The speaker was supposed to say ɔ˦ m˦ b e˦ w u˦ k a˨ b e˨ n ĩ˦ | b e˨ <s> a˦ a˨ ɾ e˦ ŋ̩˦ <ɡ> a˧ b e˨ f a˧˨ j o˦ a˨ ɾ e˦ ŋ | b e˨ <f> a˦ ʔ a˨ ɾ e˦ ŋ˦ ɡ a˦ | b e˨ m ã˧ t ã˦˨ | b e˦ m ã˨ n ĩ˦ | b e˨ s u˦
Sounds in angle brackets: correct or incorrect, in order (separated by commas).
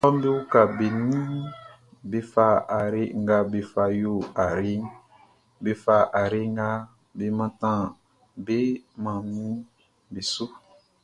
incorrect, correct, correct